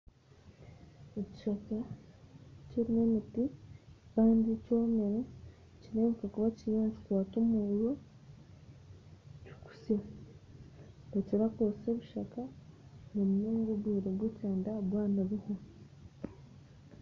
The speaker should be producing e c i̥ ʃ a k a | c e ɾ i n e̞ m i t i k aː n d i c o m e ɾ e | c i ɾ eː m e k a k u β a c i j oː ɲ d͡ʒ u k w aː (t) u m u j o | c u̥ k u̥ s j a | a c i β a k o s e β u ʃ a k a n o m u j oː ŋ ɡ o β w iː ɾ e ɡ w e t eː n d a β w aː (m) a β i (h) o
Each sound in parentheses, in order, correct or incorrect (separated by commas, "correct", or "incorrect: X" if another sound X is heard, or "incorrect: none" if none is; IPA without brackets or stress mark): correct, incorrect: n, correct